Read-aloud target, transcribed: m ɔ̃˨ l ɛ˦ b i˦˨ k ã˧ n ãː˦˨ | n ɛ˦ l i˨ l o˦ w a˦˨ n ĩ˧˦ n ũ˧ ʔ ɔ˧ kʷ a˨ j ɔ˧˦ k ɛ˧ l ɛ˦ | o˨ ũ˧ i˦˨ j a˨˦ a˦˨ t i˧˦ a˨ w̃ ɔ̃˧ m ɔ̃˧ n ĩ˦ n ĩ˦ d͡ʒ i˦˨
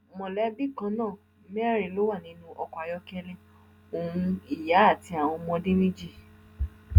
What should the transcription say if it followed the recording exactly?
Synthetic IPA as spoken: m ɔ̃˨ l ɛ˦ b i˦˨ k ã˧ n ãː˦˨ | m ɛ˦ ɾ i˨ l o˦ w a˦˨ n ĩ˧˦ n ũ˧ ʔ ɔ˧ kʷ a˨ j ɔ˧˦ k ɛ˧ l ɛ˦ | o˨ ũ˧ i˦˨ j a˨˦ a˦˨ t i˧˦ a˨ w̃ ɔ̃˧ m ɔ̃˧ d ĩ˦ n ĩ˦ d͡ʒ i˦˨

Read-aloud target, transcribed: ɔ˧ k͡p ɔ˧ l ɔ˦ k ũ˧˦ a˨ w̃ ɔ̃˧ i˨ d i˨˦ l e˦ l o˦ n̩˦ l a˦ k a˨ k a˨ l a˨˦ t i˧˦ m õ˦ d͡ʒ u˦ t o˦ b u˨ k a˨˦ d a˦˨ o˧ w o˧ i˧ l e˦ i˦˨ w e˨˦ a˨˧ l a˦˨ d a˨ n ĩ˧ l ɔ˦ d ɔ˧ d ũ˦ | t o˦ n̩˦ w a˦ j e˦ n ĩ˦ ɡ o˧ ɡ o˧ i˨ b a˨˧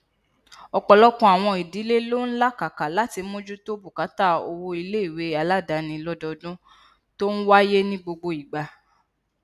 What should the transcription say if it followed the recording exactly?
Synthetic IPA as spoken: ɔ˧ k͡p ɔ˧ l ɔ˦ k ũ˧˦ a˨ w̃ ɔ̃˧ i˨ d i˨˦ l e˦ l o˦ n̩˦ l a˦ k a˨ k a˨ l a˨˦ t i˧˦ m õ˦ d͡ʒ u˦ t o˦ b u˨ k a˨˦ t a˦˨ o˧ w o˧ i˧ l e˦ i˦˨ w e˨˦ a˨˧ l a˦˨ d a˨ n ĩ˧ l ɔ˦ d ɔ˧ d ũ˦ | t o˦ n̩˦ w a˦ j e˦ n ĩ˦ ɡ͡b o˧ ɡ͡b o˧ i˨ ɡ͡b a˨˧

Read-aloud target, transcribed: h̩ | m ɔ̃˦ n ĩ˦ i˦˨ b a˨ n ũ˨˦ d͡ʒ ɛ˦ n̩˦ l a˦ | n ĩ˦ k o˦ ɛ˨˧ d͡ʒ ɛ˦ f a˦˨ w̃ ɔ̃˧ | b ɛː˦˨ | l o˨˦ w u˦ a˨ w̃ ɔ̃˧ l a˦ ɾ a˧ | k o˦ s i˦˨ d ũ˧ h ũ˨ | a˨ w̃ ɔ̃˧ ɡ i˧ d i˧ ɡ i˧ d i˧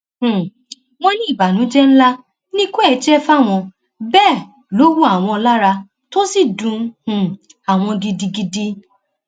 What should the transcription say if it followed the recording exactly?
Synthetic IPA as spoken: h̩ | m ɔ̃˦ n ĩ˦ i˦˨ b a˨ n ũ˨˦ d͡ʒ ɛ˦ n̩˦ l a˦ | n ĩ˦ k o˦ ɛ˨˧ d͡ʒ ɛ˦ f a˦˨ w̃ ɔ̃˧ | b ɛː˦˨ | l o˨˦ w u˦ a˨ w̃ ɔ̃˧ l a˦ ɾ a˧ | t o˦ s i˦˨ d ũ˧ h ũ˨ | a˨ w̃ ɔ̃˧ ɡ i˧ d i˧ ɡ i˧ d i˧

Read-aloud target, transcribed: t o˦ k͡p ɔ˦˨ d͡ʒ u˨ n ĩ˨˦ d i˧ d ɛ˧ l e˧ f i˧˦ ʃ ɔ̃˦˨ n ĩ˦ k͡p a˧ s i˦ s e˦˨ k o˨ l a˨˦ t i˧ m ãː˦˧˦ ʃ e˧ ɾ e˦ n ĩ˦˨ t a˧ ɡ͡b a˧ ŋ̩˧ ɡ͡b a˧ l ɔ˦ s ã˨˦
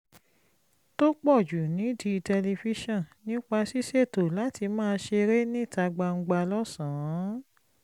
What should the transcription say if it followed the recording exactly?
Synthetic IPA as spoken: t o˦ k͡p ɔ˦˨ d͡ʒ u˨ n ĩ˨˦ d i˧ t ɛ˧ l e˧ f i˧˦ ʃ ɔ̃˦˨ n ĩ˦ k͡p a˧ s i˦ s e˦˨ t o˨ l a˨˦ t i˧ m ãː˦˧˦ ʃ e˧ ɾ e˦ n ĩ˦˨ t a˧ ɡ͡b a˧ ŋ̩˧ ɡ͡b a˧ l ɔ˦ s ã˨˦

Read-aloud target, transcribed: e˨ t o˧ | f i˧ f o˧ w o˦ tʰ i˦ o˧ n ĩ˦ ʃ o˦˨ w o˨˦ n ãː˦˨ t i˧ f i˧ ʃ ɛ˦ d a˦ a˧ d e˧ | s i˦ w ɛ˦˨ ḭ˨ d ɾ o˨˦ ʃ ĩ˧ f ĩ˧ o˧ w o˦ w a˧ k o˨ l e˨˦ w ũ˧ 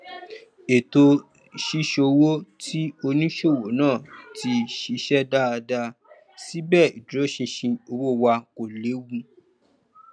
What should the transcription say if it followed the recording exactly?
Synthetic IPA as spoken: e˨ t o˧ | ʃ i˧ ʃ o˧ w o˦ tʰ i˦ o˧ n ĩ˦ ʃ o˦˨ w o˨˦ n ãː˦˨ t i˧ ʃ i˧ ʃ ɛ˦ d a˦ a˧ d a˧ | s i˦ b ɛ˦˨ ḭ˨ d ɾ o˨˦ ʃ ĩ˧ ʃ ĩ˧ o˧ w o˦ w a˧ k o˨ l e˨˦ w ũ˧

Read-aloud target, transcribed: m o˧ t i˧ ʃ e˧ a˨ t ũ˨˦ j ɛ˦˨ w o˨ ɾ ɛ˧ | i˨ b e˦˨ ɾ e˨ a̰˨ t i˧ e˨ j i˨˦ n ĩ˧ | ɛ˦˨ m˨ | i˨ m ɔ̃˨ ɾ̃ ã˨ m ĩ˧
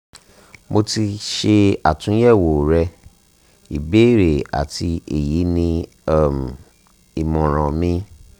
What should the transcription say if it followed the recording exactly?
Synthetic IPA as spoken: m o˧ t i˧ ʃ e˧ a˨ t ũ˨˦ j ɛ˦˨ w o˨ ɾ ɛ˧ | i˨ b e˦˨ ɾ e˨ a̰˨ t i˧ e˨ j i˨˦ n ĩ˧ | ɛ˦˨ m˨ | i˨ m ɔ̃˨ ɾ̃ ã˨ m ĩ˧

